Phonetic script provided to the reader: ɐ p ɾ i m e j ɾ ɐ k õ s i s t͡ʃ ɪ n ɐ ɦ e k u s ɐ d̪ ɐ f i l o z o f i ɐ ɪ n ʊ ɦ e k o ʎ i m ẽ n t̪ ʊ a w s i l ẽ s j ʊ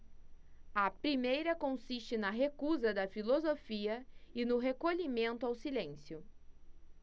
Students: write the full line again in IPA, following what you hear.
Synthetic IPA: ɐ p ɾ i m e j ɾ ɐ k õ s i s t͡ʃ ɪ n ɐ ɦ e k u z ɐ d̪ ɐ f i l o z o f i ɐ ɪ n ʊ ɦ e k o ʎ i m ẽ n t̪ ʊ a w s i l ẽ s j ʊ